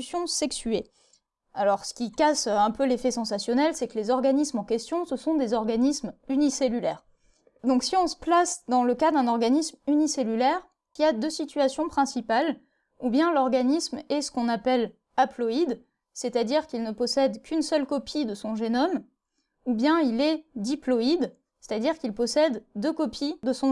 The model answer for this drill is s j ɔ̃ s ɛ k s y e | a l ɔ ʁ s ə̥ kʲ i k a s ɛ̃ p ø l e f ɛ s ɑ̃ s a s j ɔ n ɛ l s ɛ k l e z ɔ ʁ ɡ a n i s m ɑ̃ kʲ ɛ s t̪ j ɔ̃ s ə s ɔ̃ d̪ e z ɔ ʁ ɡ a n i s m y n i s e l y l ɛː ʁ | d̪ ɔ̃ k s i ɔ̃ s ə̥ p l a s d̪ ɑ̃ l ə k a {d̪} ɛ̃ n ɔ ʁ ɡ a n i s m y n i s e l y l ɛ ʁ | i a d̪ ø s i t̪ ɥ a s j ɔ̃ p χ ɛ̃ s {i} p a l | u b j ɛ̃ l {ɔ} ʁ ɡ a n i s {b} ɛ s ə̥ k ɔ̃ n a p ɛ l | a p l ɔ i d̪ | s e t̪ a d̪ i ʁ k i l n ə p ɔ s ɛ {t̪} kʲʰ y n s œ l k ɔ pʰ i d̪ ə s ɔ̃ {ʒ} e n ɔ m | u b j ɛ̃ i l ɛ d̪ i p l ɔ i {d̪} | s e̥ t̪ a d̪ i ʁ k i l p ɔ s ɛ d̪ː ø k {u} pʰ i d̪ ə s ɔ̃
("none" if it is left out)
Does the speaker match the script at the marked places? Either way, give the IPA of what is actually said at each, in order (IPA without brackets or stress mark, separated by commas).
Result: d̪, i, ɔ, m, d̪, ʒ, d̪, ɔ